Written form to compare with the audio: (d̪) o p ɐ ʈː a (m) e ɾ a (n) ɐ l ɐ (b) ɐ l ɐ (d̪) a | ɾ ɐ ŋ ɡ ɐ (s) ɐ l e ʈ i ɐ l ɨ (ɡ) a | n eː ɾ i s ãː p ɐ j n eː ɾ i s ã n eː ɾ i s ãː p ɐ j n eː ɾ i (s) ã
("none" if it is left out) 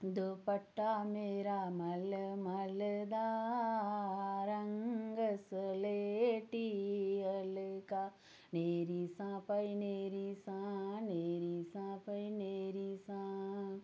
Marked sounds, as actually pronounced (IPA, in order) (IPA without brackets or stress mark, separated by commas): d̪, m, m, m, d̪, s, k, s